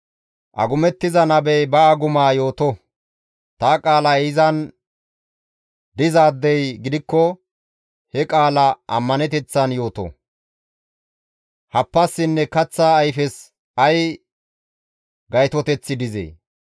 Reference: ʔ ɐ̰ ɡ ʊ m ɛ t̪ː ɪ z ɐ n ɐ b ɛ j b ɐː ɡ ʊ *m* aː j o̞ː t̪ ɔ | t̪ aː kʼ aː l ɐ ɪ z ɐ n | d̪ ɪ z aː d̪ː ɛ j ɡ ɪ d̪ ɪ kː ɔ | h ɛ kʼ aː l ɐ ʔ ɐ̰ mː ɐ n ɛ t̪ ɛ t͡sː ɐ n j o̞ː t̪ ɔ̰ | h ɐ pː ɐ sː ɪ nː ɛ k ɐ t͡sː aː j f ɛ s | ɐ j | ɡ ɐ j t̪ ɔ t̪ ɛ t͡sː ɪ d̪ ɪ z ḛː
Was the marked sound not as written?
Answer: no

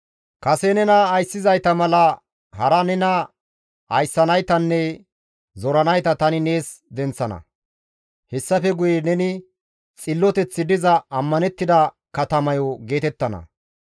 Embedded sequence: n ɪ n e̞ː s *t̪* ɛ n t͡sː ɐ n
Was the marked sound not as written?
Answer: yes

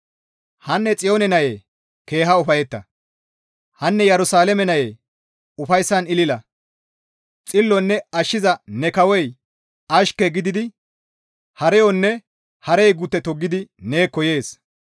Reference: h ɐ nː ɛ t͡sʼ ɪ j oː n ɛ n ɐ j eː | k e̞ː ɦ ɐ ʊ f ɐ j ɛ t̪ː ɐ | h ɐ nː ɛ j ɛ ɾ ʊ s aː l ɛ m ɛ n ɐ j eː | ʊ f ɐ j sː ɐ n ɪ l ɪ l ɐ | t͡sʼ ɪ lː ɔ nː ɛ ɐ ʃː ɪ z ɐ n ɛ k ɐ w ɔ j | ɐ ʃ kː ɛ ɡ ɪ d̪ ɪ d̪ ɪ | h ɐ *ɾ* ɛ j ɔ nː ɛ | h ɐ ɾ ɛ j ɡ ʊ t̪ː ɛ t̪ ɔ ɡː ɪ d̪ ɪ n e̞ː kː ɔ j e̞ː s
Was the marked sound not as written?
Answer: no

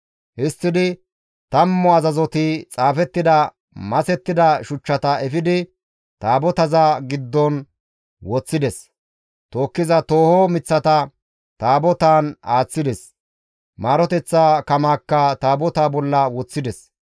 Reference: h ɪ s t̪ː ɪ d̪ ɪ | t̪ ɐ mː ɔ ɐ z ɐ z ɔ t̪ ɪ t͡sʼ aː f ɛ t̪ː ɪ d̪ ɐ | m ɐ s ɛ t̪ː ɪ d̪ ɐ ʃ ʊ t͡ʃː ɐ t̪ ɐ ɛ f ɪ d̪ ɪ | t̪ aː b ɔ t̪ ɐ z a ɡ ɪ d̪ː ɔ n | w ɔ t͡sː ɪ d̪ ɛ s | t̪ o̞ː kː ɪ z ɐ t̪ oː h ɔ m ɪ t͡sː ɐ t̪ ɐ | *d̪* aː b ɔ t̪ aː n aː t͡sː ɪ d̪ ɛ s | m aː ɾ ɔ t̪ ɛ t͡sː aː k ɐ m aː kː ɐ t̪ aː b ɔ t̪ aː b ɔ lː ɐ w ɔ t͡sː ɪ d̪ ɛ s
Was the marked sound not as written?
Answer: yes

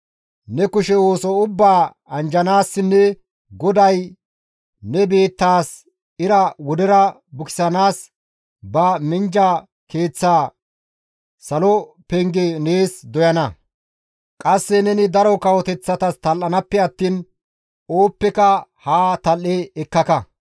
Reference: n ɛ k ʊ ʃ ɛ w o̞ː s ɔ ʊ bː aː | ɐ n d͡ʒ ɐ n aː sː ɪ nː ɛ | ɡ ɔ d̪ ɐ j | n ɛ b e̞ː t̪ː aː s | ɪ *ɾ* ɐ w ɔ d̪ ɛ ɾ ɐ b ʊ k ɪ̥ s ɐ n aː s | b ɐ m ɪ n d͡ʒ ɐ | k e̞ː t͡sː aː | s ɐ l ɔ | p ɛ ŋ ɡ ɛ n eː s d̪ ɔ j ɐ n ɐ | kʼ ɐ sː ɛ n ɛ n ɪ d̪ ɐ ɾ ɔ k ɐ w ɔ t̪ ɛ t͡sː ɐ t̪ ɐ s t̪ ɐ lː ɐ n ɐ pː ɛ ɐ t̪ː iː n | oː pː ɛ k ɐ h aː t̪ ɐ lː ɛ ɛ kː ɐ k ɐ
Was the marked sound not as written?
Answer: no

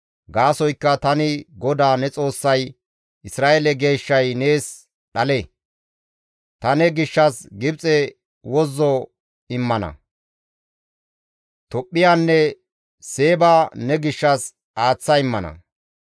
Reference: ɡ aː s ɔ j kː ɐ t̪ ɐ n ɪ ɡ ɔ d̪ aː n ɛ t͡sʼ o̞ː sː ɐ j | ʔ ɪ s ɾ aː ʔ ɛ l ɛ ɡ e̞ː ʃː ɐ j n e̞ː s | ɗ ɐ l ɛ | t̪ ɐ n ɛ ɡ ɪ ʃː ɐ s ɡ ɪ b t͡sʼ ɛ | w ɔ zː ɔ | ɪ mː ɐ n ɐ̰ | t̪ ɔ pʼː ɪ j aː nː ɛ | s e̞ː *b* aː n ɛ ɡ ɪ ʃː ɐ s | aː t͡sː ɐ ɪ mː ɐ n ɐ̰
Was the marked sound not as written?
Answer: no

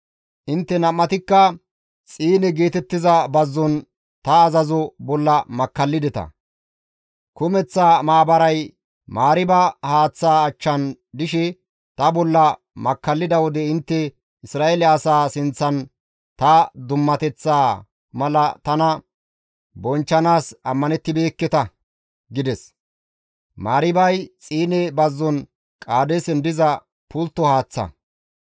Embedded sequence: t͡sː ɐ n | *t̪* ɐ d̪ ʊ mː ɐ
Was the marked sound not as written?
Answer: no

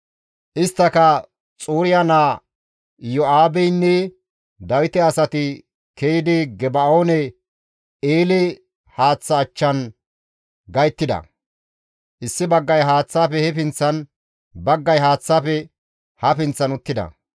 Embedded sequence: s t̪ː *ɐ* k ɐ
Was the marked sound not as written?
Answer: no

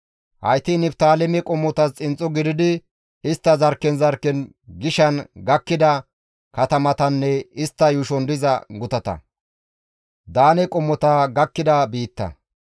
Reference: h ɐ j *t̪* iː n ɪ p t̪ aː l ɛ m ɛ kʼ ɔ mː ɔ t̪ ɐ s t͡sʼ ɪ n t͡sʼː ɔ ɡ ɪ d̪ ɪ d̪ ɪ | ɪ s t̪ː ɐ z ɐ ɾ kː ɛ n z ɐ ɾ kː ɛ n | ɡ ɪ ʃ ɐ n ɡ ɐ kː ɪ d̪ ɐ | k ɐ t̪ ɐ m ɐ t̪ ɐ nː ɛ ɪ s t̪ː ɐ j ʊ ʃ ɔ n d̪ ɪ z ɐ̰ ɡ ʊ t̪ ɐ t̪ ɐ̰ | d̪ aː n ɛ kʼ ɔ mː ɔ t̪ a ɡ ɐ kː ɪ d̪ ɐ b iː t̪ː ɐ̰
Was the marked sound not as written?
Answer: no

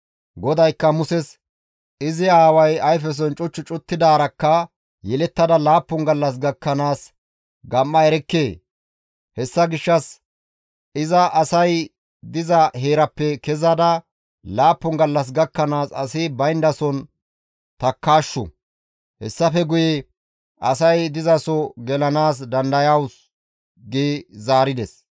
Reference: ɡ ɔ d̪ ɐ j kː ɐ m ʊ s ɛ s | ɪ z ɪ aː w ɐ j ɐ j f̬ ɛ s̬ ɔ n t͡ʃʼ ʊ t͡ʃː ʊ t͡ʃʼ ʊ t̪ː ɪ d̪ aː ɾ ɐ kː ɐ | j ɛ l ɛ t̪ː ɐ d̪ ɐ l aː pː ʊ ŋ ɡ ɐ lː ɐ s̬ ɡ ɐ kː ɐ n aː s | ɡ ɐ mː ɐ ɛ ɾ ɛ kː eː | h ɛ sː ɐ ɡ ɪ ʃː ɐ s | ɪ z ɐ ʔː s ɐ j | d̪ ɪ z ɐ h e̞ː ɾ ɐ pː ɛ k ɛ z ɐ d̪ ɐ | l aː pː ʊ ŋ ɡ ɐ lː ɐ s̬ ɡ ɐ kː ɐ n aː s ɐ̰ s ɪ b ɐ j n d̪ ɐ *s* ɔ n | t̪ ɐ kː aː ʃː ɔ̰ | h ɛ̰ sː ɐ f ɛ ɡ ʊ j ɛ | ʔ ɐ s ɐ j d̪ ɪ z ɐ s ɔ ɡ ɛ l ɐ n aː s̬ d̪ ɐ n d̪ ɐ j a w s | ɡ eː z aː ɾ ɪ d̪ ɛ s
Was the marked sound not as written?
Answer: no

